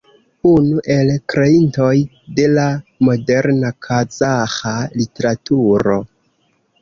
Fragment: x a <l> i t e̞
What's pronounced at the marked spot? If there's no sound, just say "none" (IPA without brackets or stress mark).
l